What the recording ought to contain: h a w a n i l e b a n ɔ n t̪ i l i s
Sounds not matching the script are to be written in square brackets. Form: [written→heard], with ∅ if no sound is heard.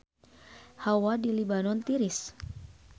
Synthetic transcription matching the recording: h a w a [n→d] i l [e→i] b a n ɔ n t̪ i [l→ɾ] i s

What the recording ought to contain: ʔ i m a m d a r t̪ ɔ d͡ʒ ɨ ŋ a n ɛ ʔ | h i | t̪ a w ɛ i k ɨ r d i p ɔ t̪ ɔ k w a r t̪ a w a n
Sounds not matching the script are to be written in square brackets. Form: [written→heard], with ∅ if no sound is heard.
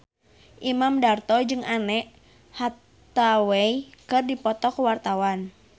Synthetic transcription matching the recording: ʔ i m a m d a r t̪ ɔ d͡ʒ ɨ ŋ a n ɛ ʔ | h [i→a] | t̪ a w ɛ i k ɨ r d i p ɔ t̪ ɔ k w a r t̪ a w a n

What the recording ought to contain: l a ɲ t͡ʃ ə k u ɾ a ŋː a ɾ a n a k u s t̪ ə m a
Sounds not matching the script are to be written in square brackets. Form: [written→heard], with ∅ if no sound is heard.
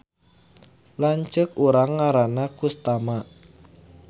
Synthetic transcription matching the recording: l a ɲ t͡ʃ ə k u ɾ a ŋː a ɾ a n a k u s t̪ [ə→a] m a

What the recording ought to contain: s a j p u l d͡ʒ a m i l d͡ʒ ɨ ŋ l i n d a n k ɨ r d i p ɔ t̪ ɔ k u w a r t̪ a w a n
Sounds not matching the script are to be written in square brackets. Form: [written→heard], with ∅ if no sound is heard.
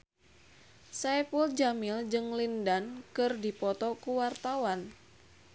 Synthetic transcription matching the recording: s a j p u l d͡ʒ a m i l d͡ʒ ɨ ŋ l i n d a n k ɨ r d i p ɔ t̪ ɔ k u w a r t̪ a w a n

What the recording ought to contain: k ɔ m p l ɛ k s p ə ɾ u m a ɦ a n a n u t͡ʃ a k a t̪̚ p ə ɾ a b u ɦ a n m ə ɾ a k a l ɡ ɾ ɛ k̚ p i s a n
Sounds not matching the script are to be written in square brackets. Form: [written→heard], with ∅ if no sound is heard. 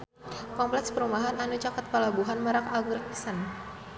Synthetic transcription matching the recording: k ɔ m p l ɛ k s p ə ɾ u m a ɦ a n a n u t͡ʃ a k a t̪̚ p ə [ɾ→l] a b u ɦ a n m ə ɾ a k a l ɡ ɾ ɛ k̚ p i s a n

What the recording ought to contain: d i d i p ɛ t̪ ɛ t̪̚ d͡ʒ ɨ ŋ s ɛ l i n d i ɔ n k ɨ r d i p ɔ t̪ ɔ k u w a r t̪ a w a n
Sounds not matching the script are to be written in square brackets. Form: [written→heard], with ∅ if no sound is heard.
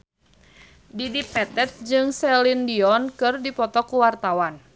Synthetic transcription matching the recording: d i d i p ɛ t̪ ɛ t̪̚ d͡ʒ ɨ ŋ s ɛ l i n d i ɔ n k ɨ r d i p ɔ t̪ ɔ k u w a r t̪ a w a n

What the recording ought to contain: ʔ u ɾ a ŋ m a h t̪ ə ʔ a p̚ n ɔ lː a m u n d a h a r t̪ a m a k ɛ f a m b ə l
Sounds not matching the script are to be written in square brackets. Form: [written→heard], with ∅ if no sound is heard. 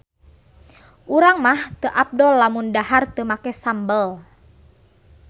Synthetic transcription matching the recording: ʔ u ɾ a ŋ m a h t̪ ə ʔ a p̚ [n→d] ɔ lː a m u n d a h a r t̪ [a→ə] m a k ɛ [f→s] a m b ə l

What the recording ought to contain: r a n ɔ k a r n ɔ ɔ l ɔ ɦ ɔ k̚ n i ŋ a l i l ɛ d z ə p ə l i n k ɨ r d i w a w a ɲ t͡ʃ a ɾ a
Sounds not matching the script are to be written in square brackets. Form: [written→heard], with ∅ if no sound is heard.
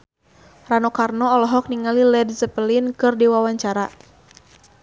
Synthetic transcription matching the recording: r a n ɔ k a r n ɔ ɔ l ɔ ɦ ɔ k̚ n i ŋ a l i l ɛ d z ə p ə l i n k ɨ r d i w a w a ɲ t͡ʃ a ɾ a

